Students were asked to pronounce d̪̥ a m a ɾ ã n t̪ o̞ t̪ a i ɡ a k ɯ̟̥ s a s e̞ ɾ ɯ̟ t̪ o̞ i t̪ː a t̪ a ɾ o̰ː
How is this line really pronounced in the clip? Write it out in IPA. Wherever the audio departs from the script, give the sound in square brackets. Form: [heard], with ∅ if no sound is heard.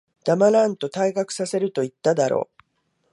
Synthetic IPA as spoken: d̪̥ a m a ɾ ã n t̪ o̞ t̪ a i ɡ a k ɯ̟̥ s a s e̞ ɾ ɯ̟ t̪ o̞ i t̪ː a [d̪] a ɾ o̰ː